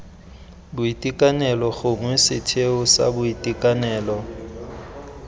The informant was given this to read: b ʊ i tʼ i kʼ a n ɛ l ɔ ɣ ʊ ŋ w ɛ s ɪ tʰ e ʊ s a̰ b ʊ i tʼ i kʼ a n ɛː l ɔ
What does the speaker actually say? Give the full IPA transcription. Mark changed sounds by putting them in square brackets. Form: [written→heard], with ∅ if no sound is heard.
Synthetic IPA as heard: b ʊ i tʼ i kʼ a n ɛ l ɔ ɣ ʊ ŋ w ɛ s ɪ tʰ e ʊ s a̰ b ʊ i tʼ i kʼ a n ɛː l ɔ